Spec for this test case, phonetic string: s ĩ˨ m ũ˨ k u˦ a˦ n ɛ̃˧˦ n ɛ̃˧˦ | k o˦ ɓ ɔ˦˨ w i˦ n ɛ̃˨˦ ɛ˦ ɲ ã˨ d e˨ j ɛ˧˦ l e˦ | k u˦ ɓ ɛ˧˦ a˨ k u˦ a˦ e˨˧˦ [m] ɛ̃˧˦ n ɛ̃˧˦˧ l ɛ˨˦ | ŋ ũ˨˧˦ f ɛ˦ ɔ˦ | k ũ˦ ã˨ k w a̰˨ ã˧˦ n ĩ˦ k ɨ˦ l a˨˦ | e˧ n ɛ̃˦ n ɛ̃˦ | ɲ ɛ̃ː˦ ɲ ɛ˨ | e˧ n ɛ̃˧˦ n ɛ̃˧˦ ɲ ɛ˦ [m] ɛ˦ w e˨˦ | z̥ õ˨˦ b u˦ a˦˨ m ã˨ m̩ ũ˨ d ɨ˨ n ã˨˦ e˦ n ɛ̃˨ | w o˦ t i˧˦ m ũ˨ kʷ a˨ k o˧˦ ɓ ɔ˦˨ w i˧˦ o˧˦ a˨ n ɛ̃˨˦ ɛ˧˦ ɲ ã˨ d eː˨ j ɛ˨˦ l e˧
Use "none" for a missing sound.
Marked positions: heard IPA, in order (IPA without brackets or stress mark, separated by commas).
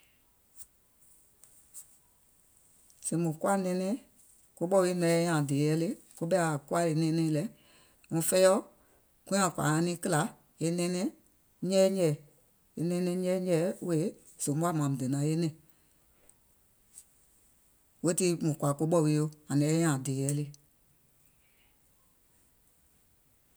n, ɲ